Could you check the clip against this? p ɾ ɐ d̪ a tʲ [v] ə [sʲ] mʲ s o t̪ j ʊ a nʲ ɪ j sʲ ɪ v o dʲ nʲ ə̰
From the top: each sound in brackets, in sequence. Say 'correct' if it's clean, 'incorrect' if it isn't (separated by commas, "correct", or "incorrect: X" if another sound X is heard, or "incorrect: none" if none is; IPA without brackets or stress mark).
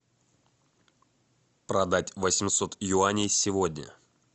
correct, correct